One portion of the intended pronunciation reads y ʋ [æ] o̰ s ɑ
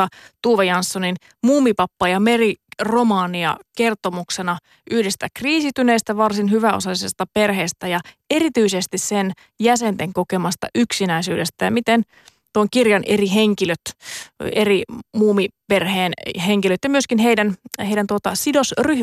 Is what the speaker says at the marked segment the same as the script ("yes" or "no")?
yes